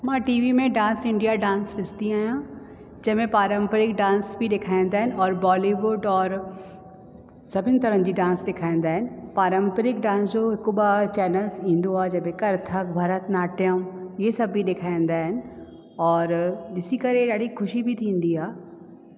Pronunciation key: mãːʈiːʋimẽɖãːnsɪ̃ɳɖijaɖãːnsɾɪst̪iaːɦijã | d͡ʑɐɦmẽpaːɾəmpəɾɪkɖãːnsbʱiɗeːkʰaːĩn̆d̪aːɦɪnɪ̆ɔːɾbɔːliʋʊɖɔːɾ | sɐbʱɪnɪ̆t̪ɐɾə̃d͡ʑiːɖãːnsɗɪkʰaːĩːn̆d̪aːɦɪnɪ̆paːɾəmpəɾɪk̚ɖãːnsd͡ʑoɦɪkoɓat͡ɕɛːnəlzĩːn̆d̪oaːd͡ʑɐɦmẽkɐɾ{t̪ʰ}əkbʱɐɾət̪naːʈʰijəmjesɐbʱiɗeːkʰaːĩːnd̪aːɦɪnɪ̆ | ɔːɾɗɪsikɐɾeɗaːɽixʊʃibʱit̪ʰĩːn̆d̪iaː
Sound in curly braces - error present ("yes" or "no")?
no